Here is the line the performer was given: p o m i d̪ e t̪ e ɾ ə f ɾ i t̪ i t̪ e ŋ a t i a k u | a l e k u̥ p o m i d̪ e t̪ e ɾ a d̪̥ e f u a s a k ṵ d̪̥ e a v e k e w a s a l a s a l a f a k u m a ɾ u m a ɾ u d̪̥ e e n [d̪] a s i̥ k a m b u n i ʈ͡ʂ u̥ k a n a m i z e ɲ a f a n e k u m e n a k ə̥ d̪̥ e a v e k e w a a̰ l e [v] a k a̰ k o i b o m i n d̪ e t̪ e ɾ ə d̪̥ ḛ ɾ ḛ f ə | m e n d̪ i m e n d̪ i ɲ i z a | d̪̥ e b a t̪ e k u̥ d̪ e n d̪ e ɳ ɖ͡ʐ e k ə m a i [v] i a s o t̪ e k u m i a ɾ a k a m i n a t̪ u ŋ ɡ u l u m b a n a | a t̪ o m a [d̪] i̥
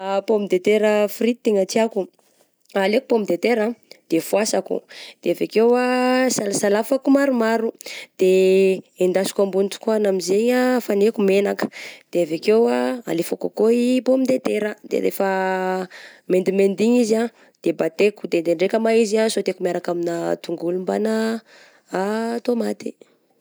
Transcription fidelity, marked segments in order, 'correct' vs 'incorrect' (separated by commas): correct, incorrect, incorrect, incorrect